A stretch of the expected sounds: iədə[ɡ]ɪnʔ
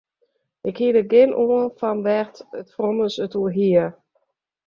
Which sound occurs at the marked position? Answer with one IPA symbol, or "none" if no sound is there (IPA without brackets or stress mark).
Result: ɡ